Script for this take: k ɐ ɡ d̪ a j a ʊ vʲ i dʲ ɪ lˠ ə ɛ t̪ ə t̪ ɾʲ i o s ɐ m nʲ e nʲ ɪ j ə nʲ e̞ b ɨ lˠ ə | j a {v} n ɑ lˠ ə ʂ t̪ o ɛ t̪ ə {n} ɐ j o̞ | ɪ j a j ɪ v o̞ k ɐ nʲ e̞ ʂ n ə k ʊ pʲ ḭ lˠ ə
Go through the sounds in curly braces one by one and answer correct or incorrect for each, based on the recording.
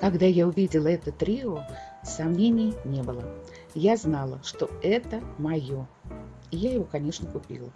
incorrect: z, incorrect: m

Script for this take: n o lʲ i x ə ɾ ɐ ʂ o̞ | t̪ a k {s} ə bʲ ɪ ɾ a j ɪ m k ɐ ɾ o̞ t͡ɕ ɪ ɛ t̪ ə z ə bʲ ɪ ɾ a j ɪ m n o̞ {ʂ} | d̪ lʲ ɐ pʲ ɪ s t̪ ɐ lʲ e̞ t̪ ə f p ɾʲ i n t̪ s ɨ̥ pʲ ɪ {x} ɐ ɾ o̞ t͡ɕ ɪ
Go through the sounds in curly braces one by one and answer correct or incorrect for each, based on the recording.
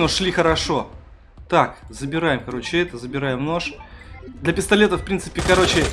incorrect: z, correct, incorrect: k

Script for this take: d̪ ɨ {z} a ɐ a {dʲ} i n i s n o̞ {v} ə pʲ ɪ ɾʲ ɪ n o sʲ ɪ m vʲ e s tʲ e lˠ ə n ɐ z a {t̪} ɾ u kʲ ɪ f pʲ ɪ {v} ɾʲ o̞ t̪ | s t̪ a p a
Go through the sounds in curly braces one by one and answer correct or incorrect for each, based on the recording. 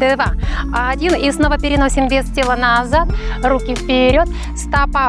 incorrect: v, correct, correct, correct, incorrect: none

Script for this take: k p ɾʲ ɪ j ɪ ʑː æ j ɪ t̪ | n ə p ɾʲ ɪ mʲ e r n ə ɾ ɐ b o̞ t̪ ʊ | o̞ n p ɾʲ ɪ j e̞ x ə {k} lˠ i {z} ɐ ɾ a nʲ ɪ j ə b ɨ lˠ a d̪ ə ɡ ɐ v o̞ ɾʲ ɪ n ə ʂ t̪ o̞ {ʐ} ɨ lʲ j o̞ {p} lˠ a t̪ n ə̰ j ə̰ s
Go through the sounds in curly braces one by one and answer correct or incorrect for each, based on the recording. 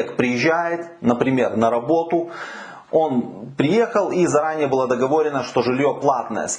incorrect: none, correct, correct, correct

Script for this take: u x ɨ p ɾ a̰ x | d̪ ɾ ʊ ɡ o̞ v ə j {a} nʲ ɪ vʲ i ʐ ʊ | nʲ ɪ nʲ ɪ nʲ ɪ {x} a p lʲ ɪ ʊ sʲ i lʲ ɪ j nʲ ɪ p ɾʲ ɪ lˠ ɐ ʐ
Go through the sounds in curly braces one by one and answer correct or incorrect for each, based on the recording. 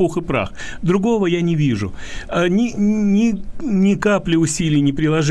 correct, incorrect: k

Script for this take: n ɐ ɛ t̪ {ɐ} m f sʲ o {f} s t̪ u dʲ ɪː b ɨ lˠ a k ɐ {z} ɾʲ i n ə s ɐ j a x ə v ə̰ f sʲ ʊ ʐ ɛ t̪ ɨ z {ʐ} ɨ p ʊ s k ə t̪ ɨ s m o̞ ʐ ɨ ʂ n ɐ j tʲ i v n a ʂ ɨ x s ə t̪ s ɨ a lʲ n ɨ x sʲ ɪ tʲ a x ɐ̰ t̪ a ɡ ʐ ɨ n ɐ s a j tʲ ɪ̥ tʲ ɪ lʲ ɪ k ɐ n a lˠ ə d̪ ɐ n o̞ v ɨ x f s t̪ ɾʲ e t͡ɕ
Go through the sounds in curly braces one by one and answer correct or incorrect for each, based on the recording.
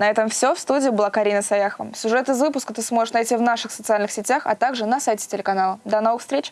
incorrect: ə, correct, incorrect: none, incorrect: v

